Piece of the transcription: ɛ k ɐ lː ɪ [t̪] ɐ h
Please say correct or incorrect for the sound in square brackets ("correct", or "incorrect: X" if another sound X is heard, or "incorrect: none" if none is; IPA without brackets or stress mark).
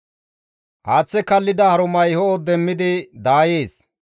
incorrect: d̪